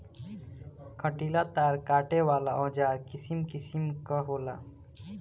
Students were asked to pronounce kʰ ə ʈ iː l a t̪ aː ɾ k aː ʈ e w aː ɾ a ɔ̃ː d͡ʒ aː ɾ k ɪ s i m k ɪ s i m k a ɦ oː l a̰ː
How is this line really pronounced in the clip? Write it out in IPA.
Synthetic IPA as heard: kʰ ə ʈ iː l a t̪ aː ɾ k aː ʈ e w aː l a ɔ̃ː d͡ʒ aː ɾ k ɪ s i m k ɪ s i m k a ɦ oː l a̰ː